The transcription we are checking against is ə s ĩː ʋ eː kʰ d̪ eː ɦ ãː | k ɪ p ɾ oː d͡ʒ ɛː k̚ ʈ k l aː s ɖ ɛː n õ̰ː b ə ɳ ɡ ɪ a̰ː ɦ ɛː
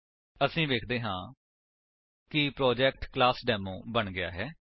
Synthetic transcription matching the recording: ə s ĩː ʋ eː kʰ d̪ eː ɦ ãː | k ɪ p ɾ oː d͡ʒ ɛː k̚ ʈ k l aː s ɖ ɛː m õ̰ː b ə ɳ ɡ ɪ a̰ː ɦ ɛː

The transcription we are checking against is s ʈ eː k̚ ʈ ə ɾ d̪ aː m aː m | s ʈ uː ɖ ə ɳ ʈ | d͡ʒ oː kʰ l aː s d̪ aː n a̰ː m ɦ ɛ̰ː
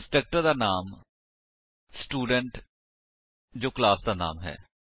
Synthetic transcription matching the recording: s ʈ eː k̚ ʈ ə ɾ d̪ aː n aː m | s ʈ uː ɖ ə ɳ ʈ | d͡ʒ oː k l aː s d̪ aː n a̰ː m ɦ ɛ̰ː

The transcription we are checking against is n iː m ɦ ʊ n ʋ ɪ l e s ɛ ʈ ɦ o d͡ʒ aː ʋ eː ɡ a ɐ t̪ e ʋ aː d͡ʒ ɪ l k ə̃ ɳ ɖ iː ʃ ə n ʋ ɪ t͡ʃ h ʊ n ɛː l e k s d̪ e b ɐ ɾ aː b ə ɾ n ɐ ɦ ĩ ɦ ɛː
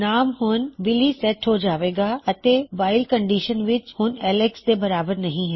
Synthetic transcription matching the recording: n aː m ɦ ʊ n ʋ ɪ l i s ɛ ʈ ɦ o d͡ʒ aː ʋ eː ɡ a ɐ t̪ e ʋ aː ɪ l k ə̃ ɳ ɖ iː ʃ ə n ʋ ɪ t͡ʃ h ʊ n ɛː l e k s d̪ e b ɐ ɾ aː b ə ɾ n ɐ ɦ ĩ ɦ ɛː

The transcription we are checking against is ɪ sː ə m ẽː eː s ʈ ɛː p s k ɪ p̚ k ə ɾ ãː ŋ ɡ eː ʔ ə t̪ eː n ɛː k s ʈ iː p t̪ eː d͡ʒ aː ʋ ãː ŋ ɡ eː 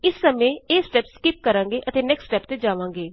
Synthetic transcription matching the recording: ɪ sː ə m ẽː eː s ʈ ɛː p s k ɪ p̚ k ə ɾ ãː ŋ ɡ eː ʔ ə t̪ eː n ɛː k s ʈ ɛː p t̪ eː d͡ʒ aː ʋ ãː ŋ ɡ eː

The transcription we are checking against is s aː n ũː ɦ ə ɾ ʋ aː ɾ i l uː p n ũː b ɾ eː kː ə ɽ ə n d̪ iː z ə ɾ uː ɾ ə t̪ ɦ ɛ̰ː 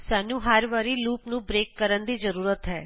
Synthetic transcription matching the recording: s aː n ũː ɦ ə ɾ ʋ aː ɾ i l uː p n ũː b ɾ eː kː ə ɾ ə n d̪ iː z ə ɾ uː ɾ ə t̪ ɦ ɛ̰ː

